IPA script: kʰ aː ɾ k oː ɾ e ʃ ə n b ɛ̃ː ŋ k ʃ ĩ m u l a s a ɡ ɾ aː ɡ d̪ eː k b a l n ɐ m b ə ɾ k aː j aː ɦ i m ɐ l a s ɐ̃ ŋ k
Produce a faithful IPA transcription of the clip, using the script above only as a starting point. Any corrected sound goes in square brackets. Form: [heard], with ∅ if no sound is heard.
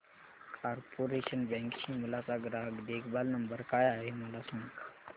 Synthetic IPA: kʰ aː ɾ [p] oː ɾ e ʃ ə n b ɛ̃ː ŋ k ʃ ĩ m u l a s a ɡ ɾ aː ɡ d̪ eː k b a l n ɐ m b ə ɾ k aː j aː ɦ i m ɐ l a s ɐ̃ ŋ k

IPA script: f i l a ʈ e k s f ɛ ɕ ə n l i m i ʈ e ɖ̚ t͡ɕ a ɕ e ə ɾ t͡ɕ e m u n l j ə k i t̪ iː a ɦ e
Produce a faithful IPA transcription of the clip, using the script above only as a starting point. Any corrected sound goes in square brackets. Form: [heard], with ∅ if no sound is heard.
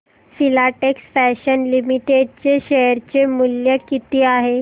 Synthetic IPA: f i l a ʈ e k s f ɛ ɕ ə n l i m i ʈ e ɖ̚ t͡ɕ [e] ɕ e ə ɾ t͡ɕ e m u [∅] l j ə k i t̪ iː a ɦ e

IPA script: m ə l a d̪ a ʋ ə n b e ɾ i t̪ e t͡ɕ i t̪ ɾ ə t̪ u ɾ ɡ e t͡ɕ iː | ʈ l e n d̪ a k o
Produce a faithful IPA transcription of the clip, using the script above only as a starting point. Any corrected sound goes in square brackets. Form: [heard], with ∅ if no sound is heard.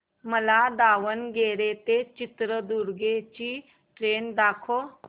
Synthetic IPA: m ə l a d̪ a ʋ ə n [ɡ] e ɾ [e] t̪ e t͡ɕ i t̪ ɾ ə [d̪] u ɾ ɡ e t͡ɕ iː | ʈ [ɾ] e n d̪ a [kʰ] o

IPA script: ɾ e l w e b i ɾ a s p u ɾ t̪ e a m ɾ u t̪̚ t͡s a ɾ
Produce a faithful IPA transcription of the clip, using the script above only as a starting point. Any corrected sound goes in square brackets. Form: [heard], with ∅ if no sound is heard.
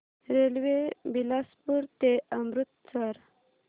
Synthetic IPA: ɾ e l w e b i [l] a s p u ɾ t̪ e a m ɾ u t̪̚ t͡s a ɾ

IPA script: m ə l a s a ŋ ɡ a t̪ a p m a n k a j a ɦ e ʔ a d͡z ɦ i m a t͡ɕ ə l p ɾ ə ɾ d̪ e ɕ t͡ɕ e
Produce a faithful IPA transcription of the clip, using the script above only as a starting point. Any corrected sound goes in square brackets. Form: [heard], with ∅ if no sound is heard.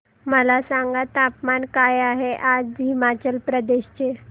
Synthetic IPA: m ə l a s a ŋ ɡ a t̪ a p m a n k a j a ɦ e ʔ a d͡z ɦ i m a t͡ɕ ə l p ɾ ə [∅] d̪ e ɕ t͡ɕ e

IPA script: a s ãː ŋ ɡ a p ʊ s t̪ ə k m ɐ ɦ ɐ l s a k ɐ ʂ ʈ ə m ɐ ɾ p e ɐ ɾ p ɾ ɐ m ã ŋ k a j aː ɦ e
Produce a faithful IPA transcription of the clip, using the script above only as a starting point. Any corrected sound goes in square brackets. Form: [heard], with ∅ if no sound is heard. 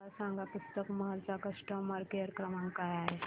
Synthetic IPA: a s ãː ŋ ɡ a p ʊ s t̪ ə k m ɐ ɦ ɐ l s a k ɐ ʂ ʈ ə m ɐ ɾ [k] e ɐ ɾ [k] ɾ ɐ m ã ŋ k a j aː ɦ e

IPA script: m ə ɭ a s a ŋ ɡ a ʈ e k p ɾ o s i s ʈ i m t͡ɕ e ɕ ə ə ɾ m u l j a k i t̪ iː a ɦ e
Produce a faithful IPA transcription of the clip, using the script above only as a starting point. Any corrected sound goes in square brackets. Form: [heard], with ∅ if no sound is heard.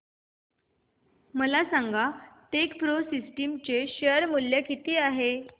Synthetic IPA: m ə [l] a s a ŋ ɡ a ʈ e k p ɾ o s i s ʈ i m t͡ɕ e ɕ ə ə ɾ m u l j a k i t̪ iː a ɦ e

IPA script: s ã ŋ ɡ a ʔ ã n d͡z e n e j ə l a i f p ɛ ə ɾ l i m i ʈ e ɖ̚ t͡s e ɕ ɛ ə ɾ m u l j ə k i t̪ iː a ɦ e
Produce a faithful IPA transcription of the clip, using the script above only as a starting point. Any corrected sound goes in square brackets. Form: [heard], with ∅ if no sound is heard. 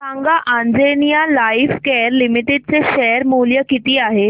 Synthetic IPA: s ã ŋ ɡ a ʔ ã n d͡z e n [i] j [a] l a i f [k] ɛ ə ɾ l i m i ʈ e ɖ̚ t͡s e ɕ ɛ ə ɾ m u l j ə k i t̪ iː a ɦ e

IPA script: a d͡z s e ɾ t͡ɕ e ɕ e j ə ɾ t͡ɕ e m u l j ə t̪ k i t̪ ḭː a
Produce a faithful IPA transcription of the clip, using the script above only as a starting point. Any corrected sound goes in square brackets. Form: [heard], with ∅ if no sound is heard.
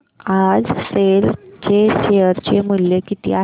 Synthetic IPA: a d͡z s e [l] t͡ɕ e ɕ e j ə ɾ t͡ɕ e m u l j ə [∅] k i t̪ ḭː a

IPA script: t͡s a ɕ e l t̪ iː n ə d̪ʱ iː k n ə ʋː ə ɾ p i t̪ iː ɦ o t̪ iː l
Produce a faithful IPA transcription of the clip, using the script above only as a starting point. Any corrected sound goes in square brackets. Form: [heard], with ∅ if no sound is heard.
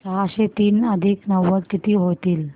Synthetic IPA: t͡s a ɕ e [∅] t̪ iː n ə d̪ʱ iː k n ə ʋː ə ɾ [k] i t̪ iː ɦ o t̪ iː l

